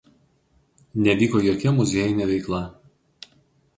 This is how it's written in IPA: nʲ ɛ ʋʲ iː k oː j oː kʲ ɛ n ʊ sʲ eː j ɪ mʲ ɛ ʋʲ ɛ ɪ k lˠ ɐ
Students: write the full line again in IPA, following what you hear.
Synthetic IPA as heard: nʲ ɛ ʋʲ iː k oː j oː kʲ ɛ m ʊ zʲ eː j ɪ nʲ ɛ ʋʲ ɛ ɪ k lˠ ɐ